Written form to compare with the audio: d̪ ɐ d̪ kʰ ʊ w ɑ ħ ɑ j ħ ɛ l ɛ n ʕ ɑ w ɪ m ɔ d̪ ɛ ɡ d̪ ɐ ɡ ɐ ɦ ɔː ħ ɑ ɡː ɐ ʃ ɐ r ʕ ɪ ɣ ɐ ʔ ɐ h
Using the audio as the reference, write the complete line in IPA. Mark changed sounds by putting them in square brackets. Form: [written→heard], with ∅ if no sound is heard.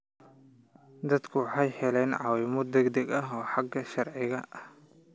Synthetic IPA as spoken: d̪ ɐ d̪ kʰ ʊ w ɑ ħ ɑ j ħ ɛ l ɛ n ʕ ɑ w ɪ m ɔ d̪ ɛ ɡ d̪ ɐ ɡ ɐ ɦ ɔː ħ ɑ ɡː ɐ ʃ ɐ r ʕ ɪ ɣ ɐ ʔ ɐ h